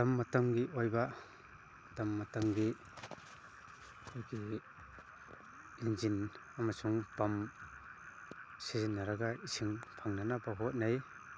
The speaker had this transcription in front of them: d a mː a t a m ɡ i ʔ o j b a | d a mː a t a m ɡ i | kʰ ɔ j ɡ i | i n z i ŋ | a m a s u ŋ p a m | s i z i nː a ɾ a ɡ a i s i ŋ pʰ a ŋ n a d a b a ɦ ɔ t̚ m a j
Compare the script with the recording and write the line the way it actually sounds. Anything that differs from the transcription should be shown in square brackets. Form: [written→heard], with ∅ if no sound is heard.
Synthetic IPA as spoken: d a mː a t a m ɡ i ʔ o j b a | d a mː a t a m ɡ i | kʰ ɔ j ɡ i | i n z i [ŋ→n] | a m a s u ŋ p a m | s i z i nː a ɾ a ɡ a i s i ŋ pʰ a ŋ n a [d→n] a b a ɦ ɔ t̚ [m→n] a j